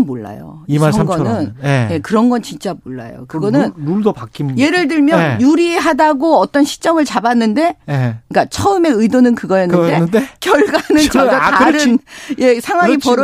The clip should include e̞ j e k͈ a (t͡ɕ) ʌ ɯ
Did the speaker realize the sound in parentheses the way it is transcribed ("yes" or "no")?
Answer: no